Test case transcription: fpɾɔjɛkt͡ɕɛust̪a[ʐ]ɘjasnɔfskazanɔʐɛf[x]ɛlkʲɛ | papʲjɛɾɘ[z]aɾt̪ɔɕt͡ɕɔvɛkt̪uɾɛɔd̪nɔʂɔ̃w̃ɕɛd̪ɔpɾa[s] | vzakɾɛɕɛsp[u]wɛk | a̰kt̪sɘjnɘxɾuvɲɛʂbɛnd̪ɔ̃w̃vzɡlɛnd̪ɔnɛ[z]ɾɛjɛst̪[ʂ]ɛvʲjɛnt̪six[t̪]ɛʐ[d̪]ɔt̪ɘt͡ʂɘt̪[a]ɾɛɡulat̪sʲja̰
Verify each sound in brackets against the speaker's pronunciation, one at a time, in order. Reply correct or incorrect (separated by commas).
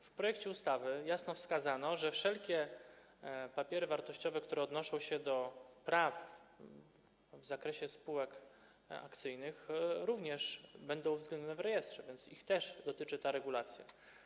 incorrect, incorrect, incorrect, incorrect, correct, incorrect, correct, correct, correct, correct